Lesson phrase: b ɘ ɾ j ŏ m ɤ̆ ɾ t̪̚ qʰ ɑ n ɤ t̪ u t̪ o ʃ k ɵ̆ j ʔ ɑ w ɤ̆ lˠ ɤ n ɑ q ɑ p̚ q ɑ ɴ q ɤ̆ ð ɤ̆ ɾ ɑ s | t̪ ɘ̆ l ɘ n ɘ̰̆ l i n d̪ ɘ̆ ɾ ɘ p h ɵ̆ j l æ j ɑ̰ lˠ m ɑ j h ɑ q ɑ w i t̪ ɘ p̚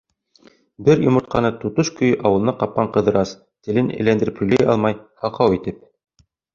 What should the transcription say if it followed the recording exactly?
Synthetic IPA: b ɘ ɾ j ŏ m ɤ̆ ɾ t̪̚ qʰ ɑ n ɤ t̪ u t̪ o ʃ k ɵ̆ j ʔ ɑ w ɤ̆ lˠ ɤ n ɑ q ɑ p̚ q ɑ ɴ q ɤ̆ ð ɤ̆ ɾ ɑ s | t̪ ɘ̆ l ɘ n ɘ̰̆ l æ n d̪ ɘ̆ ɾ ɘ p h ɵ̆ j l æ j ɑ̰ lˠ m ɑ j h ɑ q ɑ w i t̪ ɘ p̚